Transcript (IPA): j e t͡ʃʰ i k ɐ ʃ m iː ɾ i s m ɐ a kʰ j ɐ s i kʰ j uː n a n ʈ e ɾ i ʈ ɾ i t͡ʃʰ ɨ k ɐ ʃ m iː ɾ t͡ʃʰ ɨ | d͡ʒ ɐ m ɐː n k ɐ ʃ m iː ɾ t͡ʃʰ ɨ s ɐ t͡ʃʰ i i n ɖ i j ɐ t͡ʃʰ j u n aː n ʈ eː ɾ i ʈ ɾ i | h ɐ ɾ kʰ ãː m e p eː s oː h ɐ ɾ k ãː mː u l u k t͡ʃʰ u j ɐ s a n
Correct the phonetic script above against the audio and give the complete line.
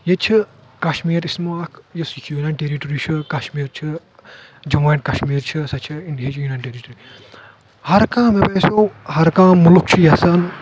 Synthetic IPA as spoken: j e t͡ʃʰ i k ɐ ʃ m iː ɾ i s m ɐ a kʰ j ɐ s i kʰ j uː n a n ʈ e ɾ i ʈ ɾ i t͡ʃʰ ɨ k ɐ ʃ m iː ɾ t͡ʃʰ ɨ | d͡ʒ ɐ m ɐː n k ɐ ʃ m iː ɾ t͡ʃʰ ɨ s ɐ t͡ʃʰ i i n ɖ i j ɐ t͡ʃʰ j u n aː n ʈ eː ɾ i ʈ ɾ i | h ɐ ɾ k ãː m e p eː s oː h ɐ ɾ k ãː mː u l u k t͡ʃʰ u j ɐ s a n